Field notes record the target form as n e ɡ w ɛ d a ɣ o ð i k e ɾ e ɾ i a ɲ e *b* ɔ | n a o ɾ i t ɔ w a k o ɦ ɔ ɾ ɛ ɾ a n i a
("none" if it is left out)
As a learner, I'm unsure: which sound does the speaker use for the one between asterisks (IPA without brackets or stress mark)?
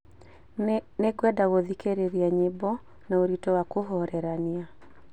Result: b